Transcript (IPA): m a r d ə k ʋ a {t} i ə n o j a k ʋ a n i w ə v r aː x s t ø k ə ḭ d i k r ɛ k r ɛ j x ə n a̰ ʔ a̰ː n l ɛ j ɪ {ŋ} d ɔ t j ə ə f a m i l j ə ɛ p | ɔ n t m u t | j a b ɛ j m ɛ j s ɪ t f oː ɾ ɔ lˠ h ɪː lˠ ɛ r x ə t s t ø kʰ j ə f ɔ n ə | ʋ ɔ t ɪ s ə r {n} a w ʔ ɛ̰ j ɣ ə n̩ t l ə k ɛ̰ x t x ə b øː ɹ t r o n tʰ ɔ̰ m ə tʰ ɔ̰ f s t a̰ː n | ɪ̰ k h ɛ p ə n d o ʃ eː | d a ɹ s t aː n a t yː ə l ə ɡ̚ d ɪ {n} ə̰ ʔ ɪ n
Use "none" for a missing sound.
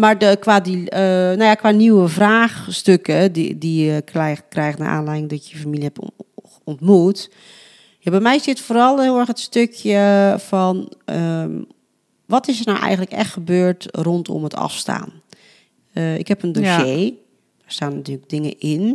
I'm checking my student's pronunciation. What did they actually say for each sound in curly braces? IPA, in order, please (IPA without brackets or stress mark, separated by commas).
d, ŋ, n, ŋ